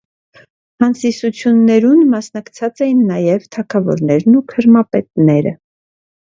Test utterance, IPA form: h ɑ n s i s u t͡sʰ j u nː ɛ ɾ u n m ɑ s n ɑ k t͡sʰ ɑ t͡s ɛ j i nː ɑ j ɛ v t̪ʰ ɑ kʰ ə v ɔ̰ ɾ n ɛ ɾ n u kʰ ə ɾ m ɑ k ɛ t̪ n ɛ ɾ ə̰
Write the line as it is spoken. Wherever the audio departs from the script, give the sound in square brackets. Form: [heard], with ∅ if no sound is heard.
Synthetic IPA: h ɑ n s i s u t͡sʰ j u nː ɛ ɾ u n m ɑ s n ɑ k t͡sʰ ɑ t͡s ɛ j i nː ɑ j ɛ v t̪ʰ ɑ kʰ [ɑ] v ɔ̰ ɾ n ɛ ɾ n u kʰ ə ɾ m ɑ [p] ɛ t̪ n ɛ ɾ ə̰